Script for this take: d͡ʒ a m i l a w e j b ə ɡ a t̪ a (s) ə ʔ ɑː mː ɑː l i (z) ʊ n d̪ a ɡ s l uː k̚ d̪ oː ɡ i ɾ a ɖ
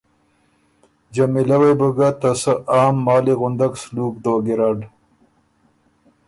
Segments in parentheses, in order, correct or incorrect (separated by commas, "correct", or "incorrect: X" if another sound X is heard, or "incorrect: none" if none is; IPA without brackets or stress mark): correct, incorrect: ɣ